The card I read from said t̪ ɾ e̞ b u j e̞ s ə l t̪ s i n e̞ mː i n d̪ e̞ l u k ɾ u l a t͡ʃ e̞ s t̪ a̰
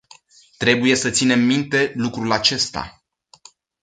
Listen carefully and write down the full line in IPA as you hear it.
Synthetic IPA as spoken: t̪ ɾ e̞ b u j e̞ s ə t̪ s i n e̞ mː i n t̪ e̞ l u k ɾ u l a t͡ʃ e̞ s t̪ a̰